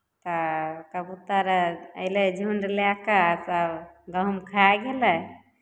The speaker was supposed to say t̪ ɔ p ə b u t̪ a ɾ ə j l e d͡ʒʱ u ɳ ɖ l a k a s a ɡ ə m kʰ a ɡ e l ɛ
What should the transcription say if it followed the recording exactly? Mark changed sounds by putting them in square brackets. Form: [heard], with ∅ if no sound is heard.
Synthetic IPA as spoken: t̪ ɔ [k] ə b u t̪ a ɾ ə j l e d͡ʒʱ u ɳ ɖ l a k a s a ɡ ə m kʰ a ɡ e l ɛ